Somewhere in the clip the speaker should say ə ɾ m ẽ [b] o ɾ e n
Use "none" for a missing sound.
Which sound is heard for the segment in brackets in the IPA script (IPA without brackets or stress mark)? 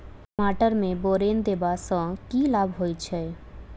b